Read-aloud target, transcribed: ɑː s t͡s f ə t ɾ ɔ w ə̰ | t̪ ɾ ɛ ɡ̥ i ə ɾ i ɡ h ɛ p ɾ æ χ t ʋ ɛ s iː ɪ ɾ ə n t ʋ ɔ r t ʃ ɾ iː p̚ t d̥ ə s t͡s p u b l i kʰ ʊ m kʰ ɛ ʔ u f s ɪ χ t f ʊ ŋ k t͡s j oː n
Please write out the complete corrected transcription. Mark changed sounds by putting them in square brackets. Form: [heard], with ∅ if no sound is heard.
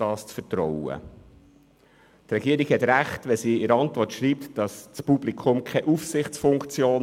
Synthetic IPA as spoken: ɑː s t͡s f ə t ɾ ɔ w ə̰ | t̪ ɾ ɛ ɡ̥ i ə ɾ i ɡ h ɛ [t] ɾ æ χ t ʋ ɛ s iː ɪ ɾ [ɑ] n t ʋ ɔ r t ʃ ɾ iː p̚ t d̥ [ɑ] s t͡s p u b l i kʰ ʊ m kʰ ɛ ʔ u f s ɪ χ [t͡s] f ʊ ŋ k t͡s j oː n